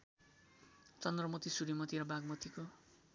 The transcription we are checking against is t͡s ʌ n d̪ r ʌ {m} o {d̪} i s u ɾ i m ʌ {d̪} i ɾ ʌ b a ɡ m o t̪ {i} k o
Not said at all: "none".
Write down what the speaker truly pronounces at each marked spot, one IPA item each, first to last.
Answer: m, t̪, t̪, i

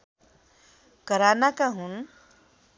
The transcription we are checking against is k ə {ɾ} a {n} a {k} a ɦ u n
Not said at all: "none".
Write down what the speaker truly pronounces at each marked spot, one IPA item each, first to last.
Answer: ɾ, n, k

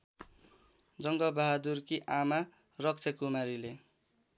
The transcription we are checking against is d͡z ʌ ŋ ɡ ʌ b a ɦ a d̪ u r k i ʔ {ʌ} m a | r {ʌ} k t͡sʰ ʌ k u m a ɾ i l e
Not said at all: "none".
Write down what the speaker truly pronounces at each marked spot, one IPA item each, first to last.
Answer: a, ʌ

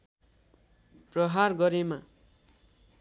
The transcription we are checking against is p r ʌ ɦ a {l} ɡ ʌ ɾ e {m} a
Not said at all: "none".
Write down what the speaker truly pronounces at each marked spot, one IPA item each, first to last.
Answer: r, m

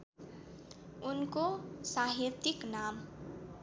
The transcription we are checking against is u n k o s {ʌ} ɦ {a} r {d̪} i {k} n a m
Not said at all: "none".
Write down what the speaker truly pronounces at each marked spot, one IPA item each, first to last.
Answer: a, i, t̪, k

